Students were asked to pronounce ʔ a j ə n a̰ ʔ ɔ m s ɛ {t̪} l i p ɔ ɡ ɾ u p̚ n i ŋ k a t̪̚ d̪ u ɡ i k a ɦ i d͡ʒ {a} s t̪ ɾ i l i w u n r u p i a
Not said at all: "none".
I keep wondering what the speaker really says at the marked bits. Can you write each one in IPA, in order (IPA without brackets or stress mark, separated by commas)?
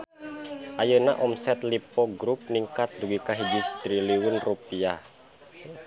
t̪, i